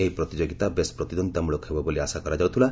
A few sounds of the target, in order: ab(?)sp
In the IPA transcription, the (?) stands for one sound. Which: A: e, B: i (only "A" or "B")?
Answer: A